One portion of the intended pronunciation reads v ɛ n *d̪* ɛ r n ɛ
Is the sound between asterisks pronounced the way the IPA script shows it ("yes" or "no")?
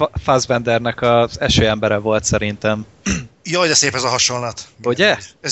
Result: yes